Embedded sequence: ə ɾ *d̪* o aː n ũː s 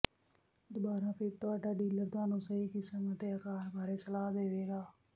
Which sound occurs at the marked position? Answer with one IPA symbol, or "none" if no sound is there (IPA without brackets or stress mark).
t̪